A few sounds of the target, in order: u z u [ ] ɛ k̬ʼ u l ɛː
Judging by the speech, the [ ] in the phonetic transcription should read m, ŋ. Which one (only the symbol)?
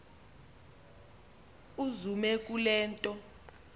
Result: m